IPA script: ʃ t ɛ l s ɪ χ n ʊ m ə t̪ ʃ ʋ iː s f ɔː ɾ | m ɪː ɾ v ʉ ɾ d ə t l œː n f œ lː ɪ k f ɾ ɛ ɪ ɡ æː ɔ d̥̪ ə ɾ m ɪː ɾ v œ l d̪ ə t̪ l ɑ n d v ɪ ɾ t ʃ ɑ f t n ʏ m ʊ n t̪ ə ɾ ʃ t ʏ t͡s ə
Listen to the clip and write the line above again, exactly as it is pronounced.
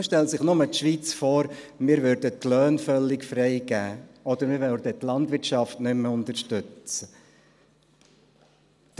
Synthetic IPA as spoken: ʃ t ɛ l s ɪ χ n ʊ m ə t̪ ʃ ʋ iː t͡s f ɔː ɾ | m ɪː ɾ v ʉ ɾ d ə t l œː n f œ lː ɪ k f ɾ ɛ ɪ ɡ æː ɔ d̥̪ ə ɾ m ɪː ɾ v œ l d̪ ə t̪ l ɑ n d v ɪ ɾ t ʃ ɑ f t n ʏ m ʊ n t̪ ə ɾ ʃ t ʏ t͡s ə